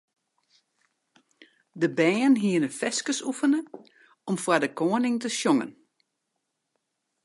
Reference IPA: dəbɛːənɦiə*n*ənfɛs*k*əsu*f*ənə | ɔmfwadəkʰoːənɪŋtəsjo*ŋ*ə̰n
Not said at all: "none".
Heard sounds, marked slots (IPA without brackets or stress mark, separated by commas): n, k, f, ŋ